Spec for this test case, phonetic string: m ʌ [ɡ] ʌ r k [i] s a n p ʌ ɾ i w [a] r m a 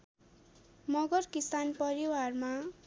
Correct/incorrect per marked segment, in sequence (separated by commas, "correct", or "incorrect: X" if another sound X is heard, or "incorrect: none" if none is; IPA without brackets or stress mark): correct, correct, correct